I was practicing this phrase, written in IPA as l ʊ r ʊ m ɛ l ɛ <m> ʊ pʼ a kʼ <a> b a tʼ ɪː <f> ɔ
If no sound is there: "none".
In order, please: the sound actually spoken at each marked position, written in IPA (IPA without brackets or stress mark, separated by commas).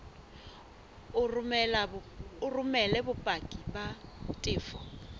b, i, f